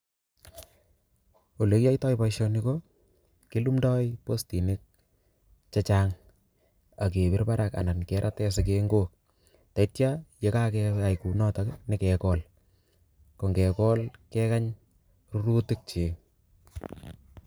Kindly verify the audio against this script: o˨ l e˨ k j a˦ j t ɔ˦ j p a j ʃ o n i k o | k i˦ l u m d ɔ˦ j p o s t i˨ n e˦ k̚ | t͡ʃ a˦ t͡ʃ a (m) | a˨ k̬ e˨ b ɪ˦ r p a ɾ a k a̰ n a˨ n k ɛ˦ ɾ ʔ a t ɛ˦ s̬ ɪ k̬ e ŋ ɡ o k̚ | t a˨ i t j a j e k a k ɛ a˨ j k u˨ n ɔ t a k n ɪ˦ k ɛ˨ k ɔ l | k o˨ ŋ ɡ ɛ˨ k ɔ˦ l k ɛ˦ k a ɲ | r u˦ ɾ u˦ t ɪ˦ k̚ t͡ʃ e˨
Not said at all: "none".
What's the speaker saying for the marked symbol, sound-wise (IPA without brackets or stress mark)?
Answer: ŋ